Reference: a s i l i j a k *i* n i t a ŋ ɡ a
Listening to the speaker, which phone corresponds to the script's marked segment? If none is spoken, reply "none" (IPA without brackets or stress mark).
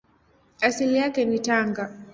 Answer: ɛ